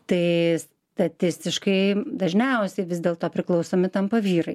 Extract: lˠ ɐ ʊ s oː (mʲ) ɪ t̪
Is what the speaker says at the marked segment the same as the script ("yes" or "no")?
yes